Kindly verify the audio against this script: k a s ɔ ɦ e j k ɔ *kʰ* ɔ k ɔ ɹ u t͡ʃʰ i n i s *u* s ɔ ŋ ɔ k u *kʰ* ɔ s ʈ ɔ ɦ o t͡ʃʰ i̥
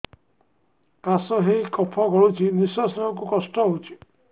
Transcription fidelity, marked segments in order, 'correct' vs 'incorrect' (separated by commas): incorrect, incorrect, incorrect